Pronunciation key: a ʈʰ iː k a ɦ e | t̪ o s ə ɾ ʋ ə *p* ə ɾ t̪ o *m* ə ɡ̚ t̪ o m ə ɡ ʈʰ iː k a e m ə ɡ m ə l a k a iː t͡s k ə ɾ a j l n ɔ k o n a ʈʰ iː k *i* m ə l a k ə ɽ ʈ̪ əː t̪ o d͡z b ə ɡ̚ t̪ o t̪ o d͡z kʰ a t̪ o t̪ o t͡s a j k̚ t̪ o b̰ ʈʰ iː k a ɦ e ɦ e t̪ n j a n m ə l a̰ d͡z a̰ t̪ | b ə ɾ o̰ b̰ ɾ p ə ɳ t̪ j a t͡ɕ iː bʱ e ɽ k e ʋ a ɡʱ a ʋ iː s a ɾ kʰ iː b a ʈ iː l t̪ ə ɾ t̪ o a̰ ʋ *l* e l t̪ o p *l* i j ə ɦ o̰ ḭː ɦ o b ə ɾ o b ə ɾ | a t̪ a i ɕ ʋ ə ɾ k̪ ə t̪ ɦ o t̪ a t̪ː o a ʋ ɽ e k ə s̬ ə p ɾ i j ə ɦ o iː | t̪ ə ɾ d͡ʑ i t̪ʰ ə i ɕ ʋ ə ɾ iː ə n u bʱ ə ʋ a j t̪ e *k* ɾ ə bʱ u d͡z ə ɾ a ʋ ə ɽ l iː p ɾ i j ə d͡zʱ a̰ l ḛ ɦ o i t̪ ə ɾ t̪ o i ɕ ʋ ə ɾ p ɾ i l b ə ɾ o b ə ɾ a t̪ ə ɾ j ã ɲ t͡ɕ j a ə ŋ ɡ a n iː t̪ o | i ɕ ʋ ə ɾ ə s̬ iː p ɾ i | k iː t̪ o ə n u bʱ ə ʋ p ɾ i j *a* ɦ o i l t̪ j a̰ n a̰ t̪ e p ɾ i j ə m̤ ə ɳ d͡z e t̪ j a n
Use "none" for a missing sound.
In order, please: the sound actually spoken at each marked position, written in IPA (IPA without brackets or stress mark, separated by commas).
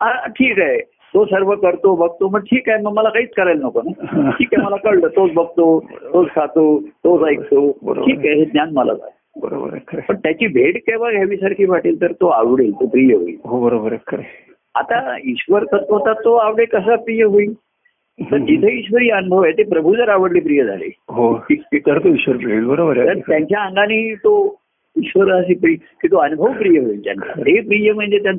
k, b, a, ɽ, ɾ, p, ə